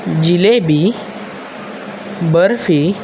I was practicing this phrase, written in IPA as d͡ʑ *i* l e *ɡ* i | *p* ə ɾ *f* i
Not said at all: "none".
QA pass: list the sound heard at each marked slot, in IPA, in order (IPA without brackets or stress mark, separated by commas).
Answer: i, b, b, f